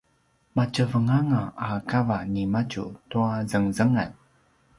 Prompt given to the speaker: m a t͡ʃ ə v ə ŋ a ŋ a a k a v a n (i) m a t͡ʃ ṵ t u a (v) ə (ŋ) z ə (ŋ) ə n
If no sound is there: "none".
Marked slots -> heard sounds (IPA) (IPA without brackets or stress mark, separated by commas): i, z, ŋ, ŋ